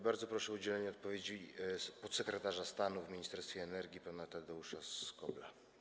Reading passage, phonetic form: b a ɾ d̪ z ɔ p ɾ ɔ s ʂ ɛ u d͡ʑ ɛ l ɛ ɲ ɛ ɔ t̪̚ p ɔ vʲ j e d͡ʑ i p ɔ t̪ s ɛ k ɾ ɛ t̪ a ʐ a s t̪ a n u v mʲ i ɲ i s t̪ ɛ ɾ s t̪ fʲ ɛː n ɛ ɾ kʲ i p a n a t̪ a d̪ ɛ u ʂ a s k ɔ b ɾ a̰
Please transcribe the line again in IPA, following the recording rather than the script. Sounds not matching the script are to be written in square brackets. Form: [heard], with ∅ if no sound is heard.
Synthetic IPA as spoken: b a ɾ d̪ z ɔ p ɾ ɔ [∅] ʂ ɛ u d͡ʑ ɛ l ɛ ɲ ɛ ɔ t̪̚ p ɔ vʲ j e d͡ʑ i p ɔ t̪ s ɛ k ɾ ɛ t̪ a ʐ a s t̪ a n u v mʲ i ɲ i s t̪ ɛ ɾ s t̪ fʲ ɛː n ɛ ɾ [ɡʲ] i p a n a t̪ a d̪ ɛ u ʂ a s k ɔ b [l] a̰

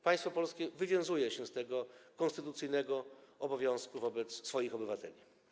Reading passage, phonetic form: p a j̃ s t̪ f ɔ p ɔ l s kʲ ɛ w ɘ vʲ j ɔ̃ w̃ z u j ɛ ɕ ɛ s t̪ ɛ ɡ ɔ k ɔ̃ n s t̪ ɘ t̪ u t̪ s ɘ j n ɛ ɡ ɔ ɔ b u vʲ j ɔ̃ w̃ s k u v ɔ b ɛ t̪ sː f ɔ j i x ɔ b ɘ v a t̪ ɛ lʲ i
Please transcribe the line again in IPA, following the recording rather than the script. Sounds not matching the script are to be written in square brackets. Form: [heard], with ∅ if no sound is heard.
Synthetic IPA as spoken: p a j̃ s t̪ f ɔ p ɔ l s kʲ ɛ [v] ɘ vʲ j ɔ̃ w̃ z u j ɛ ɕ ɛ s t̪ ɛ ɡ ɔ k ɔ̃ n s t̪ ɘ t̪ u t̪ s ɘ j n ɛ ɡ ɔ ɔ b [ɔ] vʲ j ɔ̃ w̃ s k u v ɔ b ɛ t̪ sː f ɔ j i x ɔ b ɘ v a t̪ ɛ lʲ i

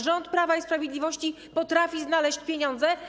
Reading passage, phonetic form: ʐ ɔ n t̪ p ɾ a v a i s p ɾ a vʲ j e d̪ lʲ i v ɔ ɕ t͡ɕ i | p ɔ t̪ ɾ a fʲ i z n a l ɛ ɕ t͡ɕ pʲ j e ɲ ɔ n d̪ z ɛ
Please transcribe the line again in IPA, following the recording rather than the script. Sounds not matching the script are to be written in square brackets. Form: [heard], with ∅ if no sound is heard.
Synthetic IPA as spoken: ʐ ɔ n t̪ p ɾ a v a i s p ɾ a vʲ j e d̪ lʲ i v ɔ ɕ t͡ɕ i | p ɔ t̪ ɾ a fʲ i z n a l ɛ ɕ t͡ɕ pʲ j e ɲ ɔ n d̪ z ɛ

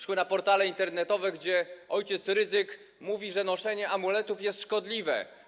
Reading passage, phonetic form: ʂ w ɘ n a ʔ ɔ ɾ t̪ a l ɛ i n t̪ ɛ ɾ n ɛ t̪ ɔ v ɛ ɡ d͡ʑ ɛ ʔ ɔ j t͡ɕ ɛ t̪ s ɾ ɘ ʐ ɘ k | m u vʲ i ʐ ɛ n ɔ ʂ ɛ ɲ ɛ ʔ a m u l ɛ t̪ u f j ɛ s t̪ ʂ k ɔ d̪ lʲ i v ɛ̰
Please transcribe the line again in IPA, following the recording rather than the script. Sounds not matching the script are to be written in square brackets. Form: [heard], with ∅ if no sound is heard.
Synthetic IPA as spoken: ʂ w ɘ n a [p] ɔ ɾ t̪ a l ɛ i n t̪ ɛ ɾ n ɛ t̪ ɔ v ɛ ɡ d͡ʑ ɛ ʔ ɔ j t͡ɕ ɛ t̪ s ɾ ɘ [z] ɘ k | m u vʲ i ʐ ɛ n ɔ ʂ ɛ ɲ ɛ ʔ a m u l ɛ t̪ u f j ɛ s t̪ ʂ k ɔ d̪ lʲ i v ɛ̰

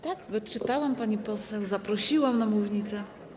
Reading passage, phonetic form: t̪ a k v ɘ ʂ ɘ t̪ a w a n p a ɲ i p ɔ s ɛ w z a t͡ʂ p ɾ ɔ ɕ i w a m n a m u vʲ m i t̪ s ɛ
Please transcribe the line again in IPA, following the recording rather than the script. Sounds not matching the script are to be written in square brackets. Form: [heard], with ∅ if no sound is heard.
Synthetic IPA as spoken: t̪ a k v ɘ [t͡ʂ] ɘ t̪ a w a [m] p a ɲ i p ɔ s ɛ w z a [∅] p ɾ ɔ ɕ i w a m n a m u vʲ [ɲ] i t̪ s ɛ

